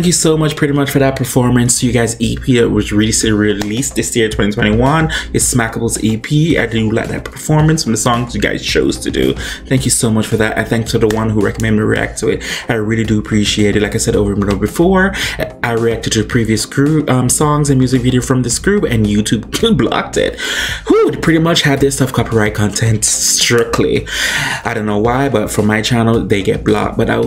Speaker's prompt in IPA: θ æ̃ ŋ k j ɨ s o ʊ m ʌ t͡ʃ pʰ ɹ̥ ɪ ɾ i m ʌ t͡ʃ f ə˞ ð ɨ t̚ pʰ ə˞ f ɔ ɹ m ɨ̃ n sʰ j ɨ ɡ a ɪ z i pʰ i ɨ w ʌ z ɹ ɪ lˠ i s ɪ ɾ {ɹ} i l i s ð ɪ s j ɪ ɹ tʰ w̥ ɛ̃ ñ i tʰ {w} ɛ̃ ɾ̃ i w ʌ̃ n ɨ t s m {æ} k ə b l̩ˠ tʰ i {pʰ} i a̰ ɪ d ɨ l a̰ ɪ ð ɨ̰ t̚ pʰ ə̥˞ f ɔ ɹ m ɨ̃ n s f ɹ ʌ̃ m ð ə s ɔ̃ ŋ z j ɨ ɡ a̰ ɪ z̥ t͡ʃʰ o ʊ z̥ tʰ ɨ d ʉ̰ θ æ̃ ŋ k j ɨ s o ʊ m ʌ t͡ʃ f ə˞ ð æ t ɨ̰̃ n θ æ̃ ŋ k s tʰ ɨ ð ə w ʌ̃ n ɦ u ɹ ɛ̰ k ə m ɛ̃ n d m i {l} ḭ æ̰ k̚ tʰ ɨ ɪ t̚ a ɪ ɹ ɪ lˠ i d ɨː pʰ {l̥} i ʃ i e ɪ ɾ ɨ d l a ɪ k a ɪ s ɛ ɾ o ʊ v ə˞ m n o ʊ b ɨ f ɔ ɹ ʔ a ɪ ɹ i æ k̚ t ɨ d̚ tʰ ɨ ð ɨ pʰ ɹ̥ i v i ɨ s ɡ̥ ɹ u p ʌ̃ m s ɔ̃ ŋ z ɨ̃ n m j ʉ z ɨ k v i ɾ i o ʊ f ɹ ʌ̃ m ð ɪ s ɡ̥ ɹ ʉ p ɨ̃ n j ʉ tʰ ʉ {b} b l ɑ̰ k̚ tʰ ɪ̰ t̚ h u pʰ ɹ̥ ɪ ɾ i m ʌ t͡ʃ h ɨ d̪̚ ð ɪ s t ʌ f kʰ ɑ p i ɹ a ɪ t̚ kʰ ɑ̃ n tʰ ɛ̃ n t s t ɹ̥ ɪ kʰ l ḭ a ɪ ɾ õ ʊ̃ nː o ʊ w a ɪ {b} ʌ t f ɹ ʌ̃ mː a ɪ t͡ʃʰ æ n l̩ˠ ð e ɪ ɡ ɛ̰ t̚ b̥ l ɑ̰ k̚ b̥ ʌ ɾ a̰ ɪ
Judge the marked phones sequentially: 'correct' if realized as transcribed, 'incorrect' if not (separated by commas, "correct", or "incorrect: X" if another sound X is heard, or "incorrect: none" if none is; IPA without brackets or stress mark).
correct, correct, correct, correct, incorrect: ɹ, incorrect: ɹ̥, correct, correct